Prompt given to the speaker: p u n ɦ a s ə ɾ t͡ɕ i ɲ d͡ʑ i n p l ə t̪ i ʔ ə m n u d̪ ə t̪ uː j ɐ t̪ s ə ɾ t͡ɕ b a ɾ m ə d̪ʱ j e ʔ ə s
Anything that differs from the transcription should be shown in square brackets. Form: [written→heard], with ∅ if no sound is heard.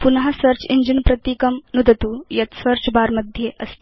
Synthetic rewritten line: p u n ɦ a s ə ɾ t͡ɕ i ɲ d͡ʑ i n p [l→ɾ] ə t̪ i [ʔ→k] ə m n u d̪ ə t̪ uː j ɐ t̪ s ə ɾ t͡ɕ b a ɾ m ə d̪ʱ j e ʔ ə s